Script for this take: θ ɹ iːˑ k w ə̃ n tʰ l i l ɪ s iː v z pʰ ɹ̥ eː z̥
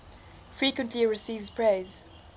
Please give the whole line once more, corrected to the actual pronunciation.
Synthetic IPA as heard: f ɹ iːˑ k w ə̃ n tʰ l i ɹ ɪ s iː v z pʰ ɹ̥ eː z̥